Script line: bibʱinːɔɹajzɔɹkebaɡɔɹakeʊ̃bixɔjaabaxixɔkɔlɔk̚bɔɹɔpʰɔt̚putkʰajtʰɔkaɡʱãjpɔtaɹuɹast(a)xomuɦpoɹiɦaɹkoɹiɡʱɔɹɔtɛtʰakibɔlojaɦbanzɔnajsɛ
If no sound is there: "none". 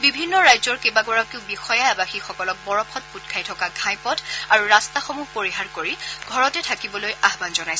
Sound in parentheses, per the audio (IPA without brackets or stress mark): a